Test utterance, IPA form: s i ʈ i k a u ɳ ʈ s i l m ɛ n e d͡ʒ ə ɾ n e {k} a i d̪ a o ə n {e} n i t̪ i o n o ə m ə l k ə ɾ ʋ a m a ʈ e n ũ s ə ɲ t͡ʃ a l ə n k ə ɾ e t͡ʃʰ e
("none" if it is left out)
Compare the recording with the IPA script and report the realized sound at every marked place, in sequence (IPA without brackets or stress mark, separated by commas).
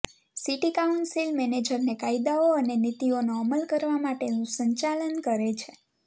k, e